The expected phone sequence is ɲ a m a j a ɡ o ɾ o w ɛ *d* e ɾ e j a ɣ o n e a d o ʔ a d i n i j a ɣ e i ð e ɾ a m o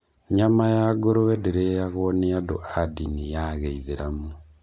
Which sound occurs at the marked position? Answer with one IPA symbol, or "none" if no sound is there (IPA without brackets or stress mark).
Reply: d